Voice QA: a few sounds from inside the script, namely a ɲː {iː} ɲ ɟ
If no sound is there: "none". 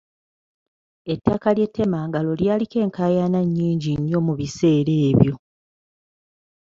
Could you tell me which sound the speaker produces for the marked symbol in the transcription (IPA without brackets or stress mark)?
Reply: iː